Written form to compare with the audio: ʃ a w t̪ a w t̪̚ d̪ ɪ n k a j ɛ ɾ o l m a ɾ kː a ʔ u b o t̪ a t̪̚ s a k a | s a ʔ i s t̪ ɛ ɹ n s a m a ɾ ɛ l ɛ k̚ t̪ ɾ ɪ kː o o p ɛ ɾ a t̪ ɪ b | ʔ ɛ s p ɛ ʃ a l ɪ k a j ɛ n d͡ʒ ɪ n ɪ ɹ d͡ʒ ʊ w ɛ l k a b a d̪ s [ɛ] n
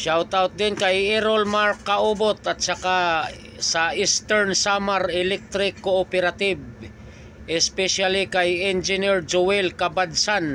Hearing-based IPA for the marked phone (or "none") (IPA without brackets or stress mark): a